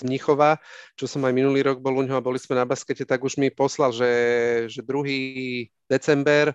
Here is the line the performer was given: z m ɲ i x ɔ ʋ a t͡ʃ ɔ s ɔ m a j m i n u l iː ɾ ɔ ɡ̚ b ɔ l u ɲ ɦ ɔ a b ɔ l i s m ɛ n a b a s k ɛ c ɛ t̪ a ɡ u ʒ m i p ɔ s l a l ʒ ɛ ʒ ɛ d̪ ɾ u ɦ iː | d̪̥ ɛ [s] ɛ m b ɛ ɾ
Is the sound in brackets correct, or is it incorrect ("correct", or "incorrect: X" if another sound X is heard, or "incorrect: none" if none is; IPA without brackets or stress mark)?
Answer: incorrect: t͡s